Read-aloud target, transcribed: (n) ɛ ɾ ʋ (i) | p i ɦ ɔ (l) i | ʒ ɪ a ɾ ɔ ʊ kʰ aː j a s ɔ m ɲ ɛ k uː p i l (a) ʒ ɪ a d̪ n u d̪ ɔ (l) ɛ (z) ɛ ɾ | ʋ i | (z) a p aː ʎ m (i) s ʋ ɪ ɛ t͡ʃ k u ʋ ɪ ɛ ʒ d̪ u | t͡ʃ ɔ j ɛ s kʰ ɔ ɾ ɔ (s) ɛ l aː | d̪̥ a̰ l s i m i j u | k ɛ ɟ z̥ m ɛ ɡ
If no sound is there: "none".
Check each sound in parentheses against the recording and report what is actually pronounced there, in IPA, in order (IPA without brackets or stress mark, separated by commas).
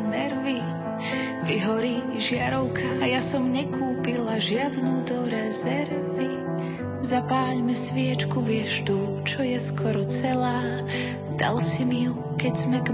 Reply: n, i, ɾ, a, ɾ, z, z, ɛ, t͡s